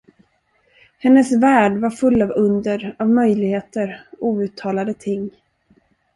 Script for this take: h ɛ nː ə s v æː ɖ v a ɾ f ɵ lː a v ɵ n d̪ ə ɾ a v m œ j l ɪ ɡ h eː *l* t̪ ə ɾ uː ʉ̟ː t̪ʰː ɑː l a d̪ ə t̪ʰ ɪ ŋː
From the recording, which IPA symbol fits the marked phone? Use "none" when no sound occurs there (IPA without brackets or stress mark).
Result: none